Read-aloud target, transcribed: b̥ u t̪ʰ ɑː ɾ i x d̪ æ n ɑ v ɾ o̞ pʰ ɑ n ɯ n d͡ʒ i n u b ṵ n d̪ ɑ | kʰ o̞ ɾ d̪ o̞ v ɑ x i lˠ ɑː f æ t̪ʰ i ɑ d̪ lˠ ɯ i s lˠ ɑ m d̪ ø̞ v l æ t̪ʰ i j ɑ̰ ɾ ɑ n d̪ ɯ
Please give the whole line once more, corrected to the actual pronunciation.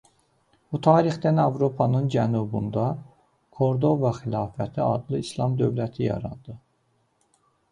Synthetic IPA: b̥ u t̪ʰ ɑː ɾ i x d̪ æ n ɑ v ɾ o̞ pʰ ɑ n ɯ n d͡ʒ æ n u b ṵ n d̪ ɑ | kʰ o̞ ɾ d̪ o̞ v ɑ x i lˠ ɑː f æ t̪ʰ i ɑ d̪ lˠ ɯ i s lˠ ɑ m d̪ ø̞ v l æ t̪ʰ i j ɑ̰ ɾ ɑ n d̪ ɯ

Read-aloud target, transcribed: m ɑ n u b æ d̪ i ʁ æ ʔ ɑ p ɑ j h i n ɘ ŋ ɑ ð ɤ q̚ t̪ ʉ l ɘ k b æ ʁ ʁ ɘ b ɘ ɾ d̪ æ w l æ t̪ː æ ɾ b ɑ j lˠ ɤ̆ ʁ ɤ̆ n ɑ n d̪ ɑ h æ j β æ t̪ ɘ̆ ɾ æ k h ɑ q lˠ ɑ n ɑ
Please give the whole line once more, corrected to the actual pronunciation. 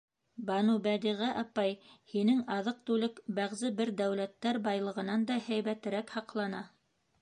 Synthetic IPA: b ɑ n u b æ d̪ i ʁ æ ʔ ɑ p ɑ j h i n ɘ ŋ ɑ ð ɤ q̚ t̪ ʉ l ɘ k b æ ʁ z ɘ b ɘ ɾ d̪ æ w l æ t̪ː æ ɾ b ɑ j lˠ ɤ̆ ʁ ɤ̆ n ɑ n d̪ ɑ h æ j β æ t̪ ɘ̆ ɾ æ k h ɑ q lˠ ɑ n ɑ

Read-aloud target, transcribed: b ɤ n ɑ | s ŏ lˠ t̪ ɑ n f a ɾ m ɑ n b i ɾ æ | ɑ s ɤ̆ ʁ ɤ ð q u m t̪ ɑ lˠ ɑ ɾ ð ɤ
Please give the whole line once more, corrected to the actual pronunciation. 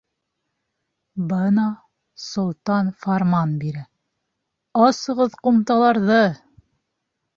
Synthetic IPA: b ɤ n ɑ | s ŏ lˠ t̪ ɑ n f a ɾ m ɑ n b i ɾ æ | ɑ s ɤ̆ ʁ ɤ ð q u m t̪ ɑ lˠ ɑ ɾ ð ɤ

